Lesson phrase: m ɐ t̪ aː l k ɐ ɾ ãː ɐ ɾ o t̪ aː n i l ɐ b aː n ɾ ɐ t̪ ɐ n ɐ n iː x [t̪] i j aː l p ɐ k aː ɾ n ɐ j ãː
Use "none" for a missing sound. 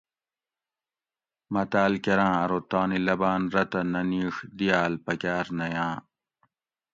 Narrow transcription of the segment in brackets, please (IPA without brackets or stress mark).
d̪